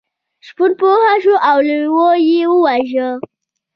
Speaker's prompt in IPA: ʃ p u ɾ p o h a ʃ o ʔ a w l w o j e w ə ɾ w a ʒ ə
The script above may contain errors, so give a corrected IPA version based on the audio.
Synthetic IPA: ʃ p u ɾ p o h a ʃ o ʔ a w l w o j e w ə w a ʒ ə